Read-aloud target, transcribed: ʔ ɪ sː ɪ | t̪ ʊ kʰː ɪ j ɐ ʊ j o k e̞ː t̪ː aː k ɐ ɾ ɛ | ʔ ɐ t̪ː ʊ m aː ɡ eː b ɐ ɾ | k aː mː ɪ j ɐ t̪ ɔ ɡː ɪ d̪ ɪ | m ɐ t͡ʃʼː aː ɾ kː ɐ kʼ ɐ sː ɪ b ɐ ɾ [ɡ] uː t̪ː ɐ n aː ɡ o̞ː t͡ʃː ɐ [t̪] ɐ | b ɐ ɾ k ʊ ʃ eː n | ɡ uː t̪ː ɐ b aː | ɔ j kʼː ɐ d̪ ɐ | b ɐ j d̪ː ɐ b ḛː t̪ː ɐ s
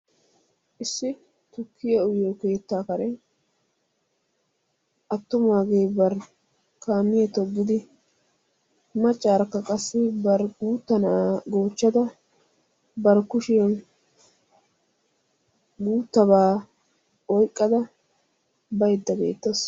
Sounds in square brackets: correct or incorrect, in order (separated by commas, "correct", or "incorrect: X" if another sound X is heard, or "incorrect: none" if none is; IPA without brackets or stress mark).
correct, incorrect: d̪